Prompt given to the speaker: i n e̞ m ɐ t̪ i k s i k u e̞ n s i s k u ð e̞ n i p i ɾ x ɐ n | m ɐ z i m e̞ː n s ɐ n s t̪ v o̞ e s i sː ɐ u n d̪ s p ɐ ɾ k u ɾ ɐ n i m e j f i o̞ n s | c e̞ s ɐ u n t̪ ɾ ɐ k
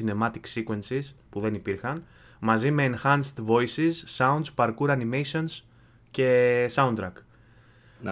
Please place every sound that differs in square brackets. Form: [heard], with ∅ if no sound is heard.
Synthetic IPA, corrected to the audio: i n e̞ m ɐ t̪ i k s i k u e̞ n s i s [p] u ð e̞ n i p i ɾ x ɐ n | m ɐ z i m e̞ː n [x] ɐ n s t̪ v o̞ [i] s i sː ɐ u n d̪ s p ɐ ɾ k u ɾ ɐ n i m e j [s] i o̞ n s | c e̞ s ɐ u n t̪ ɾ ɐ k